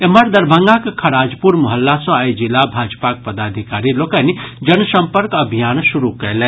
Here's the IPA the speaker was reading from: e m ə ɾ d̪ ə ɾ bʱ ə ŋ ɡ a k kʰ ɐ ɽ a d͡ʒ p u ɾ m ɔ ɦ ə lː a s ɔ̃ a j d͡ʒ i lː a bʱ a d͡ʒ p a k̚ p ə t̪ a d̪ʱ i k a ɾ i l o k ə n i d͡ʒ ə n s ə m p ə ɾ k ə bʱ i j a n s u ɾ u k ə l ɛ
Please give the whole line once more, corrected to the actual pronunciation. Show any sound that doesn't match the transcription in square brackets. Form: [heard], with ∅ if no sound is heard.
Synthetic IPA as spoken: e m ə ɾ d̪ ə ɾ bʱ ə ŋ ɡ a k kʰ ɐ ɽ a d͡ʒ p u ɾ m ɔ ɦ ə lː a s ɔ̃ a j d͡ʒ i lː a bʱ a d͡ʒ p a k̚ p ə [d̪] a d̪ʱ i k a ɾ i l o k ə n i d͡ʒ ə n s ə m p ə ɾ k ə bʱ i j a n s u ɾ u k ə l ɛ